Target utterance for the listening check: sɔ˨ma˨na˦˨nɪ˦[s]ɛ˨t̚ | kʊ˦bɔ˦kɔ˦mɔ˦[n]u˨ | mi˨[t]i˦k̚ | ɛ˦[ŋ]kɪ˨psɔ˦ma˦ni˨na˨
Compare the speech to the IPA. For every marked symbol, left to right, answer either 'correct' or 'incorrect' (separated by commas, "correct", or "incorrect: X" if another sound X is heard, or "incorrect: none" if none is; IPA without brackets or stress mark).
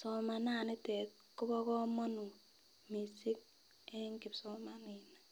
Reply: incorrect: t, correct, incorrect: s, correct